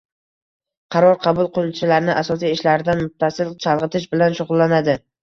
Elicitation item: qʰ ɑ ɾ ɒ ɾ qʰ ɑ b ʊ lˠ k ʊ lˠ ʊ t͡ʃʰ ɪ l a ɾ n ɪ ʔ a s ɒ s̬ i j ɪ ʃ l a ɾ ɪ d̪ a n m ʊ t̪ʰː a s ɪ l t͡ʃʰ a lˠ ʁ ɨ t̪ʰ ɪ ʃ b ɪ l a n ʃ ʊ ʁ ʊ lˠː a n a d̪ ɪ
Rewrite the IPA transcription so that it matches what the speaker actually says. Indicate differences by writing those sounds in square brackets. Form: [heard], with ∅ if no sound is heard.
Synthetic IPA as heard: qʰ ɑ ɾ ɒ ɾ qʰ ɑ b ʊ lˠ [q] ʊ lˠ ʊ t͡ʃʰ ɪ l a ɾ n ɪ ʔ a s ɒ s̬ i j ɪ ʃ l a ɾ ɪ d̪ a n m ʊ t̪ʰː a s ɪ l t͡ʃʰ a lˠ ʁ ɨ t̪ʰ ɪ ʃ b ɪ l a n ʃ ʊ ʁ ʊ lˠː a n a d̪ ɪ